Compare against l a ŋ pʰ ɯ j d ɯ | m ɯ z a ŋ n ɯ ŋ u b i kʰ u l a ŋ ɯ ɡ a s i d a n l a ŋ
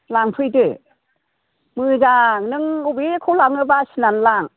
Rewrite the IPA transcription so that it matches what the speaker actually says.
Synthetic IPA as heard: l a ŋ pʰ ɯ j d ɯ | m ɯ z a ŋ n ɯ ŋ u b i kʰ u l a ŋ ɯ b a s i n a n l a ŋ